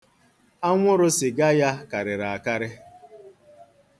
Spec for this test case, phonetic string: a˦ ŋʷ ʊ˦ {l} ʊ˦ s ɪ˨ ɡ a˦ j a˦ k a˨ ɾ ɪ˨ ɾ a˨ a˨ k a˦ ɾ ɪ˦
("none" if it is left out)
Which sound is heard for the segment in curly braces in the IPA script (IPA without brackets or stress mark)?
ɾ